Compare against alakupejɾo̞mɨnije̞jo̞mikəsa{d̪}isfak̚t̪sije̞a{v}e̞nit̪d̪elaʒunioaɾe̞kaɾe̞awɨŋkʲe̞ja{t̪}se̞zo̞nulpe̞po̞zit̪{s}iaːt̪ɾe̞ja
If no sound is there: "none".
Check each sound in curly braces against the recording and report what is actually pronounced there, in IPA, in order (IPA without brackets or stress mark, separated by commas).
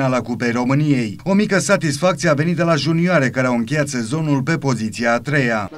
t̪, v, t̪, s